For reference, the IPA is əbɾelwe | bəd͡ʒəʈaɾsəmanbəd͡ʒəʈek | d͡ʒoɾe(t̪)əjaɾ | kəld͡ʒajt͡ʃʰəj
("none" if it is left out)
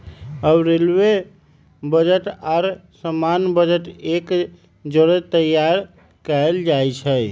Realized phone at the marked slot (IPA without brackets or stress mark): t̪